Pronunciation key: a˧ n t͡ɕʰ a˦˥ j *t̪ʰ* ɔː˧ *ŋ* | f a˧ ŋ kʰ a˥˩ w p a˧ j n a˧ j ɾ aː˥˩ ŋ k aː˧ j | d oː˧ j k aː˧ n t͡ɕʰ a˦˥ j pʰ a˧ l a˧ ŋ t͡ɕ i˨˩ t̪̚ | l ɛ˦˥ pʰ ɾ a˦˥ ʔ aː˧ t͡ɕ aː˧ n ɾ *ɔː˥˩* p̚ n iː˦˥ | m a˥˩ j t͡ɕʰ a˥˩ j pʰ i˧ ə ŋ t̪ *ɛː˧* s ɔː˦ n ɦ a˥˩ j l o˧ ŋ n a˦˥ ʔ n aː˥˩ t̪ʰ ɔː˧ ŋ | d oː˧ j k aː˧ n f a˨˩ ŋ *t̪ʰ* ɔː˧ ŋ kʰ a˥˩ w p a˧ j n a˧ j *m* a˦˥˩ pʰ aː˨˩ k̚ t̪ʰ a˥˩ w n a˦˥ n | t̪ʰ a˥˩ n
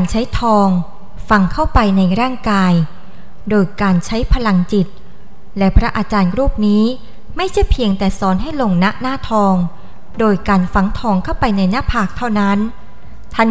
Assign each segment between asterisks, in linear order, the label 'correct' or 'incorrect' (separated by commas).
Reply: correct, correct, incorrect, incorrect, correct, incorrect